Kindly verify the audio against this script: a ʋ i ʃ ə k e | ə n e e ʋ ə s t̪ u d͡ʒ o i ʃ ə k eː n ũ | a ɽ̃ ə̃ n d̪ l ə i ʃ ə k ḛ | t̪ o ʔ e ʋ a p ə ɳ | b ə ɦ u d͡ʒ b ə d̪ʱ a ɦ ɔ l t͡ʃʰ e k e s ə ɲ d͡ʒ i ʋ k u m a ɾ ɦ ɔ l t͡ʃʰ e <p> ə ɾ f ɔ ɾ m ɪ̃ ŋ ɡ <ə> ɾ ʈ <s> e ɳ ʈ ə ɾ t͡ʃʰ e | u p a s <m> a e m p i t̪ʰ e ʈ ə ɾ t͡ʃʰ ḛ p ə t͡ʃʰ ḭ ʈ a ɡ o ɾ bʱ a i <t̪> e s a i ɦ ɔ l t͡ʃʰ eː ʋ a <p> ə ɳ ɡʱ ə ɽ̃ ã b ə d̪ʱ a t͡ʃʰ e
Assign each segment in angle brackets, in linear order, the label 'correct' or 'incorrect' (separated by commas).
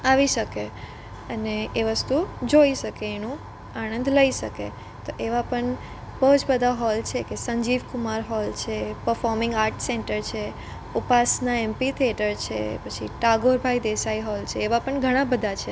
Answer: correct, incorrect, correct, incorrect, incorrect, correct